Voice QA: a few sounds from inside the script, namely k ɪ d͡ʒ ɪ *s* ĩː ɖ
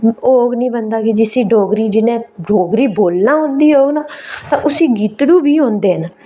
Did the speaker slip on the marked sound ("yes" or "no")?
no